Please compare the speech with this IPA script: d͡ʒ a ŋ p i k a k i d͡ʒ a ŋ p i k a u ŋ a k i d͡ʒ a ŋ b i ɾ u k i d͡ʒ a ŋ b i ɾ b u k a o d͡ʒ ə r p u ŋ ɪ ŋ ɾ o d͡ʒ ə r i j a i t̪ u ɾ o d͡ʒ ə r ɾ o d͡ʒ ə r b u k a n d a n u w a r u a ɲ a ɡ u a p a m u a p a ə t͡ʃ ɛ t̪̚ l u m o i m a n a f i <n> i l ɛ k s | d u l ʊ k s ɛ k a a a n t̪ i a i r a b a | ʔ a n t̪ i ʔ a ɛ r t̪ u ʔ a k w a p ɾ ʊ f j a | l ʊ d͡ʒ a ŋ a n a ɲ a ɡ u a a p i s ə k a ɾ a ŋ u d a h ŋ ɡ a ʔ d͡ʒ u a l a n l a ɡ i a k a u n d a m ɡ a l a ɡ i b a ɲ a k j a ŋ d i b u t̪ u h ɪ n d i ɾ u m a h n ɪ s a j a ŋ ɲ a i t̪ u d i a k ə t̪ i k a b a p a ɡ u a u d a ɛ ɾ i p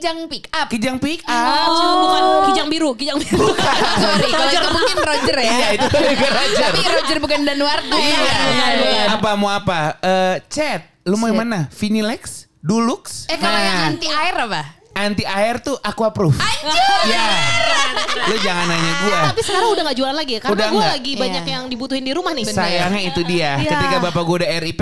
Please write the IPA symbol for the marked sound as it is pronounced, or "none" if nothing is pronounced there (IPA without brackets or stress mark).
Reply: n